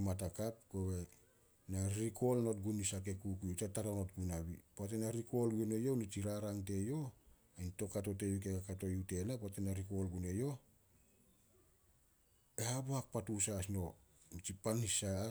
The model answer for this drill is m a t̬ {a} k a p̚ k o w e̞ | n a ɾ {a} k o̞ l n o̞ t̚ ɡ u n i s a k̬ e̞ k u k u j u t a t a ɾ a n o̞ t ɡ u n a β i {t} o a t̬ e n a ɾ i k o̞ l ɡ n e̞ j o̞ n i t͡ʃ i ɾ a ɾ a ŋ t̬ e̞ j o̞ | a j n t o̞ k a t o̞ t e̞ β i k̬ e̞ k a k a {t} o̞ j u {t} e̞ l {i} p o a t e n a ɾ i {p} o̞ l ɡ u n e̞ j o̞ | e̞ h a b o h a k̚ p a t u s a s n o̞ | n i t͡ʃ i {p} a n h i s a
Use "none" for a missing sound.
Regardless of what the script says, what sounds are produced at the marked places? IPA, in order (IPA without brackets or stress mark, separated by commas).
a, i, p, t, t, a, k, p